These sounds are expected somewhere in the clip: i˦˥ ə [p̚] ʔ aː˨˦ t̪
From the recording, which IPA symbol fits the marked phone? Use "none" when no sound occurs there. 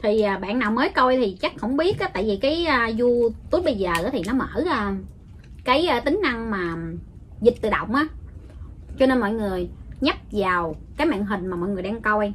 t̚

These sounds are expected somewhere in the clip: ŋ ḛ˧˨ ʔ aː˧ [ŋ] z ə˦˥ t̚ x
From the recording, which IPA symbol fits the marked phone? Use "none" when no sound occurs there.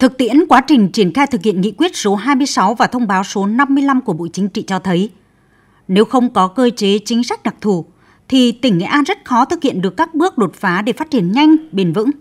n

